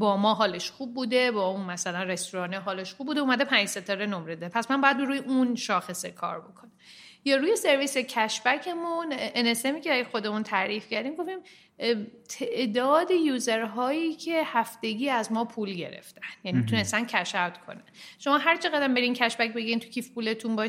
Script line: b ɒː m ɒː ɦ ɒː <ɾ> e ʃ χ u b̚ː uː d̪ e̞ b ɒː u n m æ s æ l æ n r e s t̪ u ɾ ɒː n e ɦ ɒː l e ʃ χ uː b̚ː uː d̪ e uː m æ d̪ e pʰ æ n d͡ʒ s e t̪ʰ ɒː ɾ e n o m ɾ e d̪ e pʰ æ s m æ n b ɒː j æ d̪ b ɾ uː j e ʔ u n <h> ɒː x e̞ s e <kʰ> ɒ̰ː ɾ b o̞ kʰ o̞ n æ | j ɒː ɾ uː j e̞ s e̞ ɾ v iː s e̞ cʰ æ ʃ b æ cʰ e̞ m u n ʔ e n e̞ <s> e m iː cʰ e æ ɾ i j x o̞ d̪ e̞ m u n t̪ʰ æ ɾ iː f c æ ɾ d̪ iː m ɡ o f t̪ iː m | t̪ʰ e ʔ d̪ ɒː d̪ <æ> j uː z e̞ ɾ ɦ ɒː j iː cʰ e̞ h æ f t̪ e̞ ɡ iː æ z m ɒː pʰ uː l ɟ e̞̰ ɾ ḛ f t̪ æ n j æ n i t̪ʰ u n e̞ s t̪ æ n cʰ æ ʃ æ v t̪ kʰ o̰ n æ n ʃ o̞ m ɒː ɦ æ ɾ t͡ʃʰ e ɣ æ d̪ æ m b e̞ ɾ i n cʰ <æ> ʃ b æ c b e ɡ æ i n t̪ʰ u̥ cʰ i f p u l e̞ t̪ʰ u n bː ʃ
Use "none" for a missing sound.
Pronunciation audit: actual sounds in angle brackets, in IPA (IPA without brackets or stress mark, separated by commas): l, ʃ, kʰ, s, e, æ